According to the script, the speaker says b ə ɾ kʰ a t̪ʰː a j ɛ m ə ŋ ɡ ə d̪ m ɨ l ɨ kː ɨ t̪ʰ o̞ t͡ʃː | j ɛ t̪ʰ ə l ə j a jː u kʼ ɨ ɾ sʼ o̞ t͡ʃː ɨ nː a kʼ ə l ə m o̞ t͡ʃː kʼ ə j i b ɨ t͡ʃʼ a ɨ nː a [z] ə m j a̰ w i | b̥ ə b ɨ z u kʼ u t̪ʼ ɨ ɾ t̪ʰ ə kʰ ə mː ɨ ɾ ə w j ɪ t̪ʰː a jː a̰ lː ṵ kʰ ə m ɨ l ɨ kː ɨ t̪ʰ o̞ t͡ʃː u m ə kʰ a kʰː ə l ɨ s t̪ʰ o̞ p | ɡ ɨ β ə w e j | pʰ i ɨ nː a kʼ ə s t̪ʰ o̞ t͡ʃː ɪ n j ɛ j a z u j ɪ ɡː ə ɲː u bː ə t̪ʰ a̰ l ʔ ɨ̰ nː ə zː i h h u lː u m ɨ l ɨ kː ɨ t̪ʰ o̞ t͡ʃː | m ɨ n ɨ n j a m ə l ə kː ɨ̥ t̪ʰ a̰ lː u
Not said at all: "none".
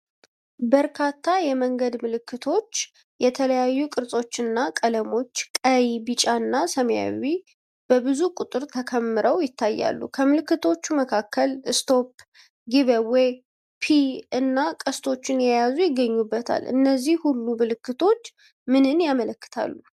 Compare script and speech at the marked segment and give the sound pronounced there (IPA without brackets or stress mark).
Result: s